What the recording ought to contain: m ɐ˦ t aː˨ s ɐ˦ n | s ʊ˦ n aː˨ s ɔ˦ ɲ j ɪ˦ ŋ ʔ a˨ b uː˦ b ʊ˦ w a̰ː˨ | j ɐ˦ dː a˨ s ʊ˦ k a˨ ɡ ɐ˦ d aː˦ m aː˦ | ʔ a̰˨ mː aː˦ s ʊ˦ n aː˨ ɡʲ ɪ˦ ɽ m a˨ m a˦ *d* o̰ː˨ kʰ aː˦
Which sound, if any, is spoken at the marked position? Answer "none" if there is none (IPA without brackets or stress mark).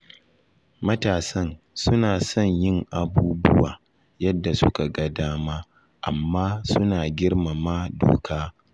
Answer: d